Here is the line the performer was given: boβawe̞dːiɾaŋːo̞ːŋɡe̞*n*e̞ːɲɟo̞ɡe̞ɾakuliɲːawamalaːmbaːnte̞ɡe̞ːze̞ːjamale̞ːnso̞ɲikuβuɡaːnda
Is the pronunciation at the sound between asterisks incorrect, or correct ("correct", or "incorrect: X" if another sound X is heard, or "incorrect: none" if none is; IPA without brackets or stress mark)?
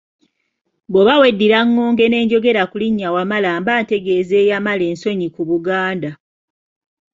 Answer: correct